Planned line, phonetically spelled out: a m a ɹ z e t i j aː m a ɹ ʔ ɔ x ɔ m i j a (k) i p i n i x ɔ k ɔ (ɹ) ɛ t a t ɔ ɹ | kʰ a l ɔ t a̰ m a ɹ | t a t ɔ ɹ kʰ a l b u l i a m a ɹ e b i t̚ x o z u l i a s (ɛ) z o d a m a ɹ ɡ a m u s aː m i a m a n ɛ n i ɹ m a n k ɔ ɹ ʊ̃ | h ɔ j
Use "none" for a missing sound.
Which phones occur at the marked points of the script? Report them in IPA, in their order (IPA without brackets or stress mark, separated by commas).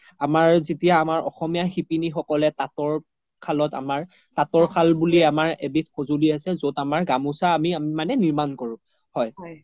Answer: x, l, ɛ